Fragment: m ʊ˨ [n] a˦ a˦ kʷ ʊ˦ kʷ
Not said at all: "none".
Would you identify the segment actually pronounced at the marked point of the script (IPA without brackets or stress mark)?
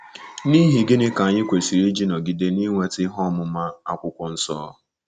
m